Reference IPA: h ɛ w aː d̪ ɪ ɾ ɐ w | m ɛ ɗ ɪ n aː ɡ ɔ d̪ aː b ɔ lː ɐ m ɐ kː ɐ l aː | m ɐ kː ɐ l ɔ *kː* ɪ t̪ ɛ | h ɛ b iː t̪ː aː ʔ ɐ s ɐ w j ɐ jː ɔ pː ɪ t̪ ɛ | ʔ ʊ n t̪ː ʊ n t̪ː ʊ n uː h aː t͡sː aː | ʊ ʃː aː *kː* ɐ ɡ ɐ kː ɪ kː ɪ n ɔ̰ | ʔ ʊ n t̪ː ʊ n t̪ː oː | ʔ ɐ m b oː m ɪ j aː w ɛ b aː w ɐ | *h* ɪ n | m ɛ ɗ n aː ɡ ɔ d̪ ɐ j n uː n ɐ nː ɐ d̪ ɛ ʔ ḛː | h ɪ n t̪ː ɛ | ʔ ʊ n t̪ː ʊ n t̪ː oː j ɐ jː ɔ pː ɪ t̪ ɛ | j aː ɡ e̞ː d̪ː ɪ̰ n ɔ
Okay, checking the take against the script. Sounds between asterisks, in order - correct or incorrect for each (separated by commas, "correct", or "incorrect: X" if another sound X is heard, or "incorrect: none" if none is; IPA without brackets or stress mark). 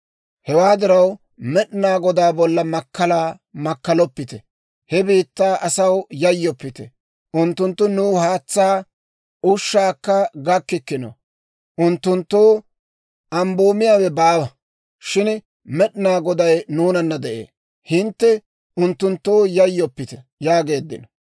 incorrect: pː, correct, incorrect: ʃ